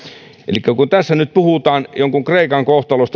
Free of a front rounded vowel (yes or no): no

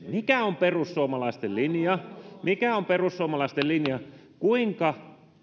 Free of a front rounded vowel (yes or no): yes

